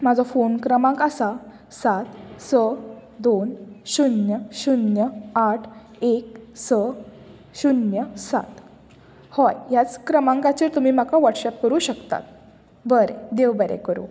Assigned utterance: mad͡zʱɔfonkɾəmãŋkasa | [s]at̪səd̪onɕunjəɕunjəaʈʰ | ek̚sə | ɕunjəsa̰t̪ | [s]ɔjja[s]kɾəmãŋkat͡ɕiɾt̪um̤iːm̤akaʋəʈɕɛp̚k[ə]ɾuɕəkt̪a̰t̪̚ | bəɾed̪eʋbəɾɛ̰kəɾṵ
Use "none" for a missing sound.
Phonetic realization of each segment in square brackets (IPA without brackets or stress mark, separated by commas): s, h, t͡s, ə